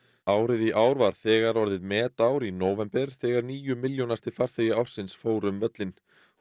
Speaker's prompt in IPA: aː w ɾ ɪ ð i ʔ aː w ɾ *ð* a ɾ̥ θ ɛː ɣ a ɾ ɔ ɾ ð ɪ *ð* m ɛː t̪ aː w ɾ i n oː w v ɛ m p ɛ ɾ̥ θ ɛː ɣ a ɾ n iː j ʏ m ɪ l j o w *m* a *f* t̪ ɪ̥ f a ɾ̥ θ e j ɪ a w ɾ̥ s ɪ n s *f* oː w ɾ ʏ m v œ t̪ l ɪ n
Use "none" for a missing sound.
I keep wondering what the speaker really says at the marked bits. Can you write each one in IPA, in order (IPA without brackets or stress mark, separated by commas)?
v, ð, n, s, f